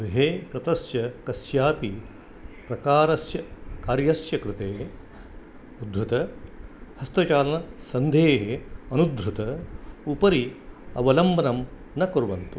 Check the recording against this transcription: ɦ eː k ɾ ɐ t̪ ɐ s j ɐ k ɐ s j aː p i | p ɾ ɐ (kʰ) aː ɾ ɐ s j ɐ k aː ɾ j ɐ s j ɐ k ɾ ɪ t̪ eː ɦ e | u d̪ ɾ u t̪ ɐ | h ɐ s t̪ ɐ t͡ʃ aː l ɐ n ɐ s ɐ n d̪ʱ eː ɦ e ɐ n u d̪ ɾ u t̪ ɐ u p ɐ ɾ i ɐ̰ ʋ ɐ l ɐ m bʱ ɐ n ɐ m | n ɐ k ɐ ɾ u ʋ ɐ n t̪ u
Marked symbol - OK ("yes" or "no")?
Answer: no